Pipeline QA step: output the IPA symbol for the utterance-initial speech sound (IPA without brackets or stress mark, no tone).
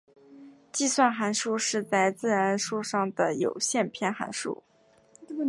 t͡ɕ